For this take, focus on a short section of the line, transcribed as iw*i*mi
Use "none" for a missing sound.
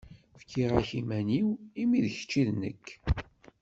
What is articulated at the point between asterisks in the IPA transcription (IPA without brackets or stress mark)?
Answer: i